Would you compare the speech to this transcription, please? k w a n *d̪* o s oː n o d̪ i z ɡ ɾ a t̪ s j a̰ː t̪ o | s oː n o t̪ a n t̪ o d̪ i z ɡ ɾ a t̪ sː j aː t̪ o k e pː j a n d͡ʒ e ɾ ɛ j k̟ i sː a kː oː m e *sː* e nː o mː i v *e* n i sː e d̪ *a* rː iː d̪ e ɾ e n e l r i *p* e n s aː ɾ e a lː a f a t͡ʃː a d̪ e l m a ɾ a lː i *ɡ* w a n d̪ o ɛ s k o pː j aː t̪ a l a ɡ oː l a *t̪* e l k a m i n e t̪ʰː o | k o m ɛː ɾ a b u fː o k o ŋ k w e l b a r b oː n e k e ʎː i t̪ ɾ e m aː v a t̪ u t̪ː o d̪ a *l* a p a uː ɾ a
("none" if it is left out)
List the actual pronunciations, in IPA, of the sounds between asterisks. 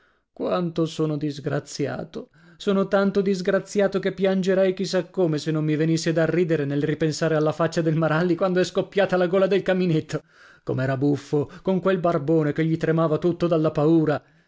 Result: t̪, s, e, a, p, k, d̪, lː

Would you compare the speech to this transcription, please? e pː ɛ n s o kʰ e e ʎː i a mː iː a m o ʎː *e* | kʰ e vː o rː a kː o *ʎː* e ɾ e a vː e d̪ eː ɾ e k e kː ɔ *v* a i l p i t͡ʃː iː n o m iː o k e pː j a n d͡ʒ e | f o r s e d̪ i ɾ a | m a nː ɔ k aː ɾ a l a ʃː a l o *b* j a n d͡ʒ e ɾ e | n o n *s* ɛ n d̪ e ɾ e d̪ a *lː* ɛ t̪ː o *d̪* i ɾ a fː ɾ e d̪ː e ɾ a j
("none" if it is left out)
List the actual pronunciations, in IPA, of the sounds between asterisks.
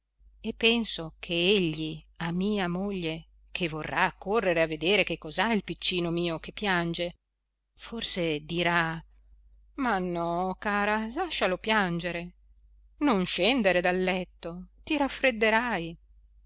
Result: e, rː, z, p, ʃ, lː, t̪

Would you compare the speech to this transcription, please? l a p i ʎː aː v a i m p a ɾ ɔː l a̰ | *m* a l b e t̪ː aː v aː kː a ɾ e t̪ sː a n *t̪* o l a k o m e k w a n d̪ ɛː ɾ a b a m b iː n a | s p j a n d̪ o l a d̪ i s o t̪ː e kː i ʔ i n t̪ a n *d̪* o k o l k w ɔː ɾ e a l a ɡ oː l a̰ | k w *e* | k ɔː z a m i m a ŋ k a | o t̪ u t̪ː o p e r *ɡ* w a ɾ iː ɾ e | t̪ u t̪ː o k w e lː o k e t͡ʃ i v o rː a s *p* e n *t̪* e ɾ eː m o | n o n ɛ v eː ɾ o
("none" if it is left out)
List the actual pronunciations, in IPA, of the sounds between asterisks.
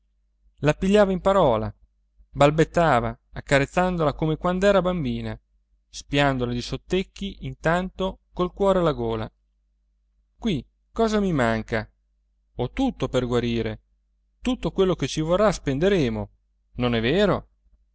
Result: b, d̪, t̪, i, ɡ, p, d̪

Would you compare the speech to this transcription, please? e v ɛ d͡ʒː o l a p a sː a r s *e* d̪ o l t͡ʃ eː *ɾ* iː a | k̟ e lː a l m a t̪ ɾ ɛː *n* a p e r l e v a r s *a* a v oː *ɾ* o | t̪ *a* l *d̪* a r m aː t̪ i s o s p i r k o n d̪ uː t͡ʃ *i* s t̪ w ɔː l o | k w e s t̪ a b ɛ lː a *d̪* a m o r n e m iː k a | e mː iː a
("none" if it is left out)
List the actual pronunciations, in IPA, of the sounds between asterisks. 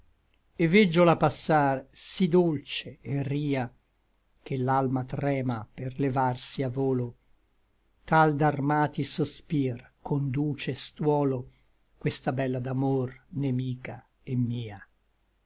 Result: i, r, m, i, l, a, d̪, e, d̪

